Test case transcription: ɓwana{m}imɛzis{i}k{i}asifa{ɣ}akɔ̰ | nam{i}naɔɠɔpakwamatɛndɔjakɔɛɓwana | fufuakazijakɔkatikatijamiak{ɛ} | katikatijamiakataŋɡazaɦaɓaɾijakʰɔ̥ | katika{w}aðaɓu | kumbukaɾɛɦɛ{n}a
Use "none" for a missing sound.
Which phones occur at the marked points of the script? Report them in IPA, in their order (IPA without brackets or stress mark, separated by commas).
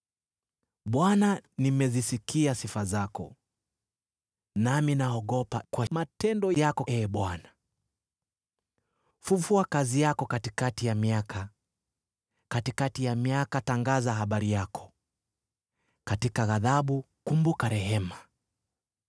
n, i, i, z, i, a, ɣ, m